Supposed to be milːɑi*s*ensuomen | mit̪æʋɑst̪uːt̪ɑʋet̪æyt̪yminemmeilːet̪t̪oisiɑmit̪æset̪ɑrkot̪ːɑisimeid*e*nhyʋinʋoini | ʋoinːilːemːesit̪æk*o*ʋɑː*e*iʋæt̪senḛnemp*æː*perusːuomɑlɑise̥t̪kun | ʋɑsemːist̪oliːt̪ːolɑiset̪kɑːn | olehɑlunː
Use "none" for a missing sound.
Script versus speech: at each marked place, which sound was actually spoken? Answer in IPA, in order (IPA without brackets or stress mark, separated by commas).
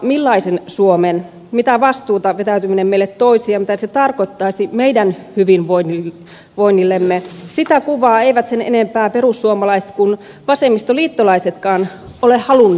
s, æ, u, e, æː